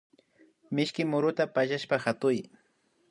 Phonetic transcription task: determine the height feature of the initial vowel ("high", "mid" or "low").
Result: high